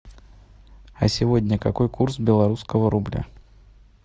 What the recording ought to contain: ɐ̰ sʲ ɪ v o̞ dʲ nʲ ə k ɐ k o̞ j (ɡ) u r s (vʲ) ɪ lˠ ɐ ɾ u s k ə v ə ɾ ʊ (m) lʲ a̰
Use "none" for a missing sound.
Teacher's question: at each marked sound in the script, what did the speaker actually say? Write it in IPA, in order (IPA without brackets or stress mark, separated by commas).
k, bʲ, b